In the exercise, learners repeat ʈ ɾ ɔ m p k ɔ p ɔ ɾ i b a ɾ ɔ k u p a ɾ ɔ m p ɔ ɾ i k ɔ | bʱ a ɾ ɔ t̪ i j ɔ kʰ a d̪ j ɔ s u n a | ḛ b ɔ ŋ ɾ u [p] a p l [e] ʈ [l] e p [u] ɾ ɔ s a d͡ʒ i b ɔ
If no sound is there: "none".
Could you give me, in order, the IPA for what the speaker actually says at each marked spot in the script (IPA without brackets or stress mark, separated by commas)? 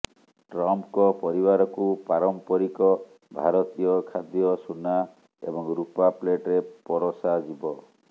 p, e, ɾ, ɔ